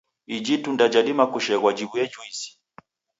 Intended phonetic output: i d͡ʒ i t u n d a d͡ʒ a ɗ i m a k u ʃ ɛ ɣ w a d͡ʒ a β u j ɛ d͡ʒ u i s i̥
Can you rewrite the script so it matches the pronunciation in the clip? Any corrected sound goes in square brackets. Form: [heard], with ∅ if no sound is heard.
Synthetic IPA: i d͡ʒ i t u n d a d͡ʒ a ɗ i m a k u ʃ ɛ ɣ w a d͡ʒ [i] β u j ɛ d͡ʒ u i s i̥

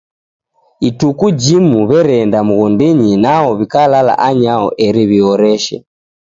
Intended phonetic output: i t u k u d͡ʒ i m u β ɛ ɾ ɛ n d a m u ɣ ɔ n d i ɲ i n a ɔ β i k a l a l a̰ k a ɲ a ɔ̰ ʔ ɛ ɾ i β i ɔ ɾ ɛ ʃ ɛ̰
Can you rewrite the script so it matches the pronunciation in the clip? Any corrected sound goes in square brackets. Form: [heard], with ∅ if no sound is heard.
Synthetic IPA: i t u k u d͡ʒ i m u β ɛ ɾ ɛ n d a m u ɣ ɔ n d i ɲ i n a ɔ β i k a l a l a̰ [ʔ] a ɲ a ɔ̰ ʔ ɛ ɾ i β i ɔ ɾ ɛ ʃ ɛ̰

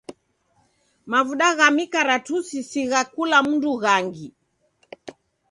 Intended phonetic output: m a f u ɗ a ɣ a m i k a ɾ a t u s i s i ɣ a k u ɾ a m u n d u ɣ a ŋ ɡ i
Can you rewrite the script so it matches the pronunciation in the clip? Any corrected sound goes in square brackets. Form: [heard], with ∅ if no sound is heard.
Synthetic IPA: m a [v] u ɗ a ɣ a m i k a ɾ a t u s i s i ɣ a k u [l] a m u n d u ɣ a ŋ ɡ i

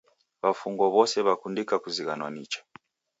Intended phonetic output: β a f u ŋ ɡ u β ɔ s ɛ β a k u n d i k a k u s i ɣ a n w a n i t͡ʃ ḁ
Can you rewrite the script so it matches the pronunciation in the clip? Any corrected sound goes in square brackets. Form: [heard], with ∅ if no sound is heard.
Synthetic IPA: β a f u ŋ ɡ [ɔ] β ɔ s ɛ β a k u n d i k a k u [z] i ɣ a n w a n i t͡ʃ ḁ

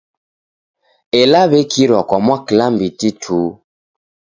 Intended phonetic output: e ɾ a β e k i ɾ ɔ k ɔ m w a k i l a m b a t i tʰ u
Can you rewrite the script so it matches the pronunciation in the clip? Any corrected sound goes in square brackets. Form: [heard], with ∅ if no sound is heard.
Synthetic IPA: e [l] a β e k i ɾ ɔ k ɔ m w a k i l a m b [i] t i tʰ u

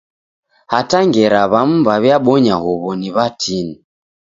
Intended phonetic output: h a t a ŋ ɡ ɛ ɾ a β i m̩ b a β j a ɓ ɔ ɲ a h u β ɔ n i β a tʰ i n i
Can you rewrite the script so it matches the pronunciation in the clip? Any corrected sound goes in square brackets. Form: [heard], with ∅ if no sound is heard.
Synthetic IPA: h a t a ŋ ɡ ɛ ɾ a β [a] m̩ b a β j a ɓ ɔ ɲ a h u β ɔ n i β a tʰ i n i

